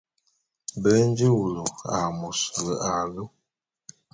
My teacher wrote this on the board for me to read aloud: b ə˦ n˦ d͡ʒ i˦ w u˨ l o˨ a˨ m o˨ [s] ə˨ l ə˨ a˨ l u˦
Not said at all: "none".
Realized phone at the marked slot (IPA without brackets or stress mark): s